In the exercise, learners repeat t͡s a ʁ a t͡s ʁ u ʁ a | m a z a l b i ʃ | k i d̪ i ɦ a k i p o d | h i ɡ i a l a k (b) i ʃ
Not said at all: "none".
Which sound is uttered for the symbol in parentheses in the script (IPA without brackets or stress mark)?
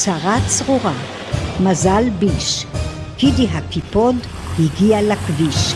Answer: v